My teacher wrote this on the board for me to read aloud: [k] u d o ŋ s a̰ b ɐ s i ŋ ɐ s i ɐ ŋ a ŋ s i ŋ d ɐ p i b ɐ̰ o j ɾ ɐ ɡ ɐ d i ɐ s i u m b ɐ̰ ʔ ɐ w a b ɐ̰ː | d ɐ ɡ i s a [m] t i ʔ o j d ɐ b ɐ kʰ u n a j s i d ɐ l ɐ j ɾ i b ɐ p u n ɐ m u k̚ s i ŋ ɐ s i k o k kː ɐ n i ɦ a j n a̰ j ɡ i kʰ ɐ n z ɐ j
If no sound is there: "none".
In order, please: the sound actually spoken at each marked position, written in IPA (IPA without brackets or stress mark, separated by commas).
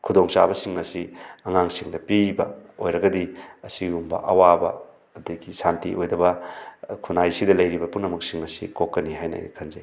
kʰ, n